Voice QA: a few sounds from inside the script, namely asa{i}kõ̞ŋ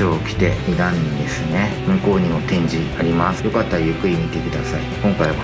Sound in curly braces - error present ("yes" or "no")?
no